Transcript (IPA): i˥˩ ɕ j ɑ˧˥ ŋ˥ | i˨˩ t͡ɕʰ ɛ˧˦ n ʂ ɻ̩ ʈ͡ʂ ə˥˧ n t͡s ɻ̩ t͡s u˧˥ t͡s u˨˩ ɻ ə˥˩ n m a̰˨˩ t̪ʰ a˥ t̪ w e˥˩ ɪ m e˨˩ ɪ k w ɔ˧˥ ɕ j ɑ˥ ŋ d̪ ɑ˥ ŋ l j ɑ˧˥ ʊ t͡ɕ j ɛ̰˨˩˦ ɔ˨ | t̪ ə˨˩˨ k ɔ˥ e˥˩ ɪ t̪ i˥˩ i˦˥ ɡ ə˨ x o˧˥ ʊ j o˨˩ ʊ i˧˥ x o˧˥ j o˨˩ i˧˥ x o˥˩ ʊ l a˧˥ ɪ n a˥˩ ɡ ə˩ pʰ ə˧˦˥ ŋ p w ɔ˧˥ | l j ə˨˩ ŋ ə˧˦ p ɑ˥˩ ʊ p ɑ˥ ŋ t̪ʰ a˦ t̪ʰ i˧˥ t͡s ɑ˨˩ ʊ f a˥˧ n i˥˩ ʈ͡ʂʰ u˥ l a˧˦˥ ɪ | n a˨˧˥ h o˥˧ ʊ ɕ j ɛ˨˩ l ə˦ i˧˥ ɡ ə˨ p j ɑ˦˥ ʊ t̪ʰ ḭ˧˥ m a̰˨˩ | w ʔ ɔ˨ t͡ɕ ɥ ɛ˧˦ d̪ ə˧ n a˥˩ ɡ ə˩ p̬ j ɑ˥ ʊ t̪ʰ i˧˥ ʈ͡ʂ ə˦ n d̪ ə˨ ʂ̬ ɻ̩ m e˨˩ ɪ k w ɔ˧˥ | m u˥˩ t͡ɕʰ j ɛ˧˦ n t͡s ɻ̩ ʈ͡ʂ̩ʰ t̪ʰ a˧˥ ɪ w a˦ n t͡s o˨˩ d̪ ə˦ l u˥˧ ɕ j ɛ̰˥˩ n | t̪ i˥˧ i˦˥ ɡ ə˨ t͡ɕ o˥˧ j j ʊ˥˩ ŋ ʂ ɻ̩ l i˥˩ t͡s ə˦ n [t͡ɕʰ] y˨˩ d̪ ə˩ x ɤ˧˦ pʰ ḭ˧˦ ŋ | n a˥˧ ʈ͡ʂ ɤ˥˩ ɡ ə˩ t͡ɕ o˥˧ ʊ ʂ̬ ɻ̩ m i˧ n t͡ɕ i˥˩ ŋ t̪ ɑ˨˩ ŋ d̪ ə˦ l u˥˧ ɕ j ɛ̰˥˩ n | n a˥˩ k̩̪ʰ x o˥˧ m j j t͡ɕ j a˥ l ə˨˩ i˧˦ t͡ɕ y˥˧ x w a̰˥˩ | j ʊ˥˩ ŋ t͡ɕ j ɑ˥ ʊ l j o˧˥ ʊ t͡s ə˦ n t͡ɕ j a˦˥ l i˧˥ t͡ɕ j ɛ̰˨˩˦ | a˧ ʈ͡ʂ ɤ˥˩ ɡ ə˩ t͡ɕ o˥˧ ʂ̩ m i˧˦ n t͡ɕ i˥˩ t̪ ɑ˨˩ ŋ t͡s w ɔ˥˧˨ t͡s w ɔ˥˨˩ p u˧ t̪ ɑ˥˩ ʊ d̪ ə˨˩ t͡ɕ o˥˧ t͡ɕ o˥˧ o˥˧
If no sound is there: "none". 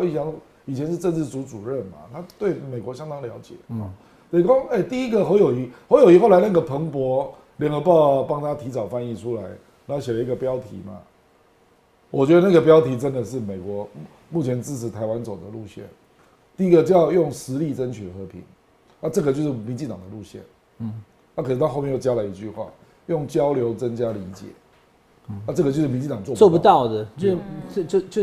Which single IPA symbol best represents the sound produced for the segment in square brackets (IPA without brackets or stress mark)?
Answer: t͡ɕʰ